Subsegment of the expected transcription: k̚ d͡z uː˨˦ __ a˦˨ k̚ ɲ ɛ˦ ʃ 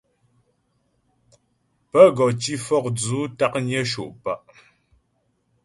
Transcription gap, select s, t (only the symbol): t